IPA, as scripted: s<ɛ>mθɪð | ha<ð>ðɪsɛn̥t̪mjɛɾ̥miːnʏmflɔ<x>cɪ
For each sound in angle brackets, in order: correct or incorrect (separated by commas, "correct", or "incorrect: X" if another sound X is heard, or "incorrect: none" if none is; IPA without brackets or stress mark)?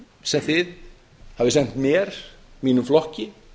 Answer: correct, incorrect: v, incorrect: h